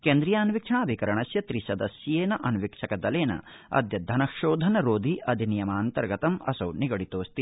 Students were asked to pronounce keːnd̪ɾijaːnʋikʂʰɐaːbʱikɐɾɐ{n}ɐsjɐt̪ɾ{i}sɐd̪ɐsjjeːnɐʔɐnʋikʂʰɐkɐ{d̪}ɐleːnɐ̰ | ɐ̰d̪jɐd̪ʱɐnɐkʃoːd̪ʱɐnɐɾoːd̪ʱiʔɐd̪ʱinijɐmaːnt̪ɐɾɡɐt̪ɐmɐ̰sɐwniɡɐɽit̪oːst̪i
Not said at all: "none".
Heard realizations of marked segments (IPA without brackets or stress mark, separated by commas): ɳ, i, d̪